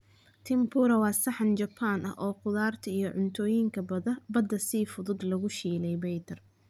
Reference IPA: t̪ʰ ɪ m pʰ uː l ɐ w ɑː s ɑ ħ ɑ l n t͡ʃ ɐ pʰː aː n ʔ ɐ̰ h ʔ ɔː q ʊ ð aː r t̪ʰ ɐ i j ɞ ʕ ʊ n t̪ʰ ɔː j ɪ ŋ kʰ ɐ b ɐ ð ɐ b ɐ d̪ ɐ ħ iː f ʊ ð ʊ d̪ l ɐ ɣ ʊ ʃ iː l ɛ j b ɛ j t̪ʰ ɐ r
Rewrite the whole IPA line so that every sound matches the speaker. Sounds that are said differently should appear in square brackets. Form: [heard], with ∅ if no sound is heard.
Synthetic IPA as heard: t̪ʰ ɪ m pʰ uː [ɾ] ɐ w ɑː s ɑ ħ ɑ [∅] n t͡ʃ ɐ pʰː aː n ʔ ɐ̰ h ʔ ɔː q ʊ ð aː r t̪ʰ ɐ i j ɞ ʕ ʊ n t̪ʰ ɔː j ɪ ŋ kʰ ɐ b ɐ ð ɐ b ɐ d̪ ɐ [s] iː f ʊ ð ʊ d̪ l ɐ ɣ ʊ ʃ iː l ɛ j b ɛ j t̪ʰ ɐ r

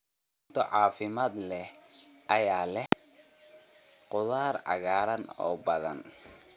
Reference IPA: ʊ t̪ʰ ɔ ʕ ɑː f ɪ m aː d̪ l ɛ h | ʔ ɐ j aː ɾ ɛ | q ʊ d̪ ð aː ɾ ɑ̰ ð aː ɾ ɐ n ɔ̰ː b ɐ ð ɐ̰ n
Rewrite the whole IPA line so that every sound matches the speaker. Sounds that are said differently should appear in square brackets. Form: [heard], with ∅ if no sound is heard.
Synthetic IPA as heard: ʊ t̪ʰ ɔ ʕ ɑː f ɪ m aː d̪ l ɛ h | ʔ ɐ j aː [l] ɛ | q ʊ [∅] ð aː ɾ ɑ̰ [ɣ] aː ɾ ɐ n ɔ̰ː b ɐ ð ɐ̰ n

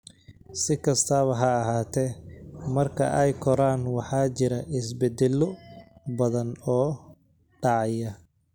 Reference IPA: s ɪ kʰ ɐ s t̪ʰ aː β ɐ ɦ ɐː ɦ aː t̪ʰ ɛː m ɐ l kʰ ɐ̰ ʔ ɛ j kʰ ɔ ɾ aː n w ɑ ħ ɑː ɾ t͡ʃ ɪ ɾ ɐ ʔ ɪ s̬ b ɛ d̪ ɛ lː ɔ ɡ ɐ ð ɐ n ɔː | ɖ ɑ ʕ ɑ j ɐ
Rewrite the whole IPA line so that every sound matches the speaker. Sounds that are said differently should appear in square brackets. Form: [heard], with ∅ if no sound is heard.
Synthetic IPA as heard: s ɪ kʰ ɐ s t̪ʰ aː β ɐ ɦ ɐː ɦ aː t̪ʰ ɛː m ɐ [r] kʰ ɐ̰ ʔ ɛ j kʰ ɔ ɾ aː n w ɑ ħ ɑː [∅] t͡ʃ ɪ ɾ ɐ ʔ ɪ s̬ b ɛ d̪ ɛ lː ɔ [b] ɐ ð ɐ n ɔː | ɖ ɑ ʕ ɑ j ɐ

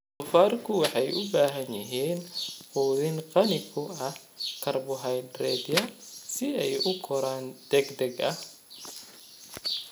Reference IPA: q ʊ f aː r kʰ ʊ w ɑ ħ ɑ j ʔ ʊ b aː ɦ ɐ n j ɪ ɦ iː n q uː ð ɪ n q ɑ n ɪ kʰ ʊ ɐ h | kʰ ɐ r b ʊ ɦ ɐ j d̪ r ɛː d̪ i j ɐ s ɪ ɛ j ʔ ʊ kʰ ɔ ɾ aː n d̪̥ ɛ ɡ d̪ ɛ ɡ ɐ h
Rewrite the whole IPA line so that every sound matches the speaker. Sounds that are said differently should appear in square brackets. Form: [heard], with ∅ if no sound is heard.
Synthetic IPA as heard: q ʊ f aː r kʰ ʊ w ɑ ħ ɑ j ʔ ʊ b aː ɦ ɐ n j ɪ ɦ iː n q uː ð ɪ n q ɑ n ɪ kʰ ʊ ɐ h | kʰ ɐ r b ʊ ɦ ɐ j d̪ r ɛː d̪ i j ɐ s ɪ ɛ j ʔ ʊ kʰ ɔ ɾ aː n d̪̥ ɛ ɡ d̪ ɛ ɡ ɐ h

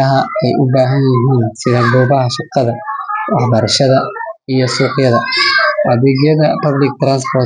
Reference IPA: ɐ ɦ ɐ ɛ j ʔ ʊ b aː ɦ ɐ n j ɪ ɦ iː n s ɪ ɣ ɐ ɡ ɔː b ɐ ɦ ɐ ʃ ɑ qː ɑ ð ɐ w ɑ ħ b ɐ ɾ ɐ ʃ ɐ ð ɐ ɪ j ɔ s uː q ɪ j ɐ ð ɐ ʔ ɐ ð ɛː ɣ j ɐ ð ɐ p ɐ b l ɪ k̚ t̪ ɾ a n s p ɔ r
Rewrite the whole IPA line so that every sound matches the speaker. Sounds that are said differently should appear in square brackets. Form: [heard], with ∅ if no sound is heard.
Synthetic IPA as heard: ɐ ɦ ɐ ɛ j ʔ ʊ b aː ɦ ɐ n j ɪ ɦ iː n s ɪ [ð] ɐ ɡ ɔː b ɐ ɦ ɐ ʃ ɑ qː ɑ ð ɐ w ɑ ħ b ɐ ɾ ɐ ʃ ɐ ð ɐ [i] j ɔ s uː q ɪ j ɐ ð ɐ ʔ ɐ ð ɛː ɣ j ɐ ð ɐ p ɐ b l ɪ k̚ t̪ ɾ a n s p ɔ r

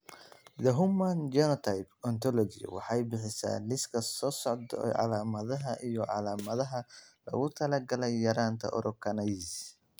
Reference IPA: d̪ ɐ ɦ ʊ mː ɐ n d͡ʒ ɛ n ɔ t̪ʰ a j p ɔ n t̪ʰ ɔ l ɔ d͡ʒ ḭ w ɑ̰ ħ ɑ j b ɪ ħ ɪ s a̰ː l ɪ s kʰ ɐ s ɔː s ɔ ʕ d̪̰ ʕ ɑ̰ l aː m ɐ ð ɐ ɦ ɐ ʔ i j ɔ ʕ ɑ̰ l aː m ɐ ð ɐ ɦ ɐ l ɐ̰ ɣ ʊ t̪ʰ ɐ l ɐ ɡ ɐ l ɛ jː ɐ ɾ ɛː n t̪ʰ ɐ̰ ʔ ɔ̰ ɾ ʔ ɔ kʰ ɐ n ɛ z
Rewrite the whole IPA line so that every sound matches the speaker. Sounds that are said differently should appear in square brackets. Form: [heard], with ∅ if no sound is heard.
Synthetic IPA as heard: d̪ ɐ ɦ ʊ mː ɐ n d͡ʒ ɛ n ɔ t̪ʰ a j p ɔ n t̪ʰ ɔ l ɔ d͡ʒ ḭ w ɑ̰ ħ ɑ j b ɪ ħ ɪ s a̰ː l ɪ s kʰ ɐ s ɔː s ɔ ʕ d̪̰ ʕ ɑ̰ l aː m ɐ ð ɐ ɦ ɐ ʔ i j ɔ ʕ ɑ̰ l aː m ɐ ð ɐ ɦ ɐ l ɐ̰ ɣ ʊ t̪ʰ ɐ l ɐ ɡ ɐ l ɛ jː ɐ ɾ [aː] n t̪ʰ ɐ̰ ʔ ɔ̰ ɾ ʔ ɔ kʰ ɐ n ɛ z

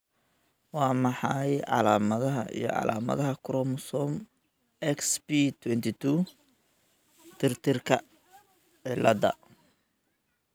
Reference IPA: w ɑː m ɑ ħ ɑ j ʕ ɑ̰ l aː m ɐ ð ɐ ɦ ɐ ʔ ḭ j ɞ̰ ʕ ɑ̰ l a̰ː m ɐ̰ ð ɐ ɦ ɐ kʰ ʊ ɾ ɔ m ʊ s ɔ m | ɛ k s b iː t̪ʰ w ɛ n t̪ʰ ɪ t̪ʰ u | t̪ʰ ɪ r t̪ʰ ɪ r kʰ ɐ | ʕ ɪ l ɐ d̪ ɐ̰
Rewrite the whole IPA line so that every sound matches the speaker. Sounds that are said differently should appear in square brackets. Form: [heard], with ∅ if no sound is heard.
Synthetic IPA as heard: w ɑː m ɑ ħ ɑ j ʕ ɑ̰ l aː m ɐ ð ɐ ɦ ɐ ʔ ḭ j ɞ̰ ʕ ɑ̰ l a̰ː m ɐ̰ ð ɐ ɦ ɐ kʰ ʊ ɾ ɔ m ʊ s ɔ m | ɛ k s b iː t̪ʰ w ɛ n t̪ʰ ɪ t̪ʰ u | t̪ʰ ɪ r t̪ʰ ɪ r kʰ ɐ | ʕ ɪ l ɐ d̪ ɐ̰

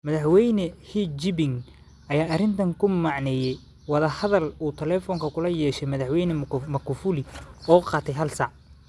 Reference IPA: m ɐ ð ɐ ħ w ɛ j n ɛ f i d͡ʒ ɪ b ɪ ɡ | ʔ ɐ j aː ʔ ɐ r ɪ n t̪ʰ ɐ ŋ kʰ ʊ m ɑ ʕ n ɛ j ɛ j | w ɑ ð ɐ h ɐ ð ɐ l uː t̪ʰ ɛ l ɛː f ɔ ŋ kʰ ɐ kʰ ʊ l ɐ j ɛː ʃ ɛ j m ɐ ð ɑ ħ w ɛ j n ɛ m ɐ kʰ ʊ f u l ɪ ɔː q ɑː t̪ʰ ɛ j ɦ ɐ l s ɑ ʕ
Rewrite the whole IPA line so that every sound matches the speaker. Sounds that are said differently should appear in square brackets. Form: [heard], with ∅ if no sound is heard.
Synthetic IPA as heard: m ɐ ð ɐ ħ w ɛ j n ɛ [h] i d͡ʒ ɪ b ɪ [ŋ] | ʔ ɐ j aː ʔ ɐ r ɪ n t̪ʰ ɐ ŋ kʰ ʊ m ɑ ʕ n ɛ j ɛ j | w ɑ ð ɐ h ɐ ð ɐ l uː t̪ʰ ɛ l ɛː f ɔ ŋ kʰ ɐ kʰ ʊ l ɐ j ɛː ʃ ɛ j m ɐ ð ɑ ħ w ɛ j n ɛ m ɐ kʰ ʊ f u l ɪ ɔː q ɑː t̪ʰ ɛ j ɦ ɐ l s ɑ ʕ

